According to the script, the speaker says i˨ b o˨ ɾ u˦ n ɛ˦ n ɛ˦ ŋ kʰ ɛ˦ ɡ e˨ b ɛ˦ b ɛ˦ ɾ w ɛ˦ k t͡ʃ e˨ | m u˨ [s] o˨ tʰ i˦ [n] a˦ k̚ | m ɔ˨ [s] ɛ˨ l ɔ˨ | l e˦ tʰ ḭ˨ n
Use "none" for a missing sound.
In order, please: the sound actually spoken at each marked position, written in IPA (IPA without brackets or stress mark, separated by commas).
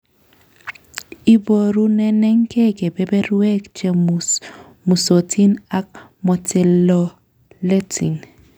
s, n, t